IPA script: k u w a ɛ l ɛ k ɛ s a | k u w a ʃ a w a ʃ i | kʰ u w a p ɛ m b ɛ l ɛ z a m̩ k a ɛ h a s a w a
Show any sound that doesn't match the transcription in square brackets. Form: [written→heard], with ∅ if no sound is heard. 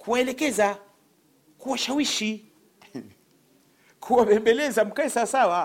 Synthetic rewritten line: k u w a ɛ l ɛ k ɛ [s→z] a | k u w a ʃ a w [a→i] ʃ i | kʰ u w a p ɛ m b ɛ l ɛ z a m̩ k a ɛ [h→s] a s a w a